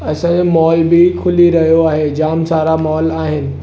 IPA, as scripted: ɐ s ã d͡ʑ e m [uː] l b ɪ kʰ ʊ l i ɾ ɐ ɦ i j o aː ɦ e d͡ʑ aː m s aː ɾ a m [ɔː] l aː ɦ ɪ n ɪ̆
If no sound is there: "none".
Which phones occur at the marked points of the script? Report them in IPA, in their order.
ɔː, ɔː

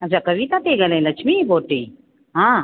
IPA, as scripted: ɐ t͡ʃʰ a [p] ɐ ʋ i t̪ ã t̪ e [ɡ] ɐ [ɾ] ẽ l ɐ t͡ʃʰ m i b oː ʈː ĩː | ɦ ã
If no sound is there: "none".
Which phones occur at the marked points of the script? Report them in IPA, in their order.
k, ɡ, l

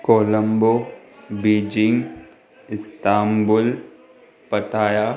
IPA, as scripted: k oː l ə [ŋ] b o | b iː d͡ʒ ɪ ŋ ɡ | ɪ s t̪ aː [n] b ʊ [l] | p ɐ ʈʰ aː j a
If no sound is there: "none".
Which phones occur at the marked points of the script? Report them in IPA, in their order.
m, m, l

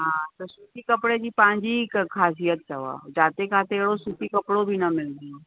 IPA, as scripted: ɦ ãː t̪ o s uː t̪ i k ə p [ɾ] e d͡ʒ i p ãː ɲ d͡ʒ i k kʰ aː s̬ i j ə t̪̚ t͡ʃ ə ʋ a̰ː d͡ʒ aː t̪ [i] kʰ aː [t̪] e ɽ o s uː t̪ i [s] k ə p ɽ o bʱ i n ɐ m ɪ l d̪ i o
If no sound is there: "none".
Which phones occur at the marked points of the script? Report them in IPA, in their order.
ɽ, e, t̪, none

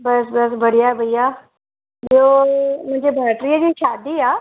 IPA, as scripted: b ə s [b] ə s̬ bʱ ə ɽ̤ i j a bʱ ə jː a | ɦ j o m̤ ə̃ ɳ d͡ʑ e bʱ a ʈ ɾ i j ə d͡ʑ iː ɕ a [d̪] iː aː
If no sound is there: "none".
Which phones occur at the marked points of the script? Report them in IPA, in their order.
b, d̪

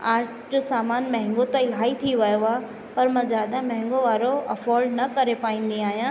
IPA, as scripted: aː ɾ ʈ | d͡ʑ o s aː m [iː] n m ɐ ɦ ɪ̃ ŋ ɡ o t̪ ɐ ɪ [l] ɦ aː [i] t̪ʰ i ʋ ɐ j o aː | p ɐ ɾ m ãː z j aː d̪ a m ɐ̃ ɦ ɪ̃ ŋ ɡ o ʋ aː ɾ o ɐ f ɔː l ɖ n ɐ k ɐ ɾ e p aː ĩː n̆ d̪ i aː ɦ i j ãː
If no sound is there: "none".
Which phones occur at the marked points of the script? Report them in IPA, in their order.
aː, l, i

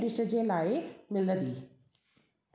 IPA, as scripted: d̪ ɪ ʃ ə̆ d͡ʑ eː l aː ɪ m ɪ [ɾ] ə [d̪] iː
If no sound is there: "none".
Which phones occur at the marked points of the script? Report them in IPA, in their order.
l, d̪

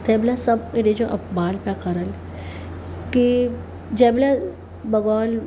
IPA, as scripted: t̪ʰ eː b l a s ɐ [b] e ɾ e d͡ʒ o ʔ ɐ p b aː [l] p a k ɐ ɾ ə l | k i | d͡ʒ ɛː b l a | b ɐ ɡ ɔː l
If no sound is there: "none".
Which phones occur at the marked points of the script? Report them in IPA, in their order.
b, l

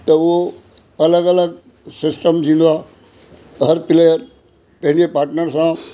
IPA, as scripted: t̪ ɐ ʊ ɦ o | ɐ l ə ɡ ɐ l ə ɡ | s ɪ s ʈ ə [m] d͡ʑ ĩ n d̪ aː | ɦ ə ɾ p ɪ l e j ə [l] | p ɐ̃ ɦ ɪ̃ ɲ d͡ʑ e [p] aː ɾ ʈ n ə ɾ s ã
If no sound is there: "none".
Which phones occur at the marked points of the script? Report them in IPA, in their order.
m, ɾ, p

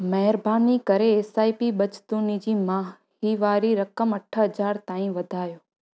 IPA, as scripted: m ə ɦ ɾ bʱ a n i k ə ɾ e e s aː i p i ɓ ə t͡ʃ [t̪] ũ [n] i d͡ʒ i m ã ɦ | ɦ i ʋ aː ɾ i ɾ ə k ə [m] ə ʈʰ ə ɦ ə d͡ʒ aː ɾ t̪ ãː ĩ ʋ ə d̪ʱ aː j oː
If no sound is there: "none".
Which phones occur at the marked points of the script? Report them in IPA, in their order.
t̪, n, m

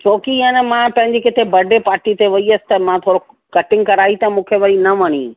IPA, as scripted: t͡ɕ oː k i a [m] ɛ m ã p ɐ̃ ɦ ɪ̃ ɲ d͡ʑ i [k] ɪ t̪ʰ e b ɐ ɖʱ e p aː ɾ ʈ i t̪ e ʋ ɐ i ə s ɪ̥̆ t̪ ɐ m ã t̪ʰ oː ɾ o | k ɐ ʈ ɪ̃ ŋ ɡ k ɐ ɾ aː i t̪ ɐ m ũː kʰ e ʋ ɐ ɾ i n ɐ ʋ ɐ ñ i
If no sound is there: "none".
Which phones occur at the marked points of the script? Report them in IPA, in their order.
n, k

